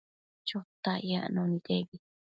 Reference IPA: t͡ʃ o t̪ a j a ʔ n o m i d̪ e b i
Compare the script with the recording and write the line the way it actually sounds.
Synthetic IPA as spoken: t͡ʃ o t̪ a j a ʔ n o n i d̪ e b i